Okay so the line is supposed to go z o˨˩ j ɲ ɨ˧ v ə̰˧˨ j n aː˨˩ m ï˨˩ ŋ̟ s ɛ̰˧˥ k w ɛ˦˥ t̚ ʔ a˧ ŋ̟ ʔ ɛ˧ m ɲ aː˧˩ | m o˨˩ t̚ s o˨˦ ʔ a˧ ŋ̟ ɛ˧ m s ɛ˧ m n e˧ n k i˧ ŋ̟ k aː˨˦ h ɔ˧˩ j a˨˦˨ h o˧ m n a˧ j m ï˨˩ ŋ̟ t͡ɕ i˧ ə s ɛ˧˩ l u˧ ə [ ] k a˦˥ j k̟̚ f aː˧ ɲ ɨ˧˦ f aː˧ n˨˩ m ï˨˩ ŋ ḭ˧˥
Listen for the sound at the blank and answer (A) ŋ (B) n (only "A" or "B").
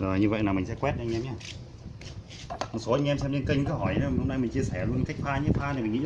B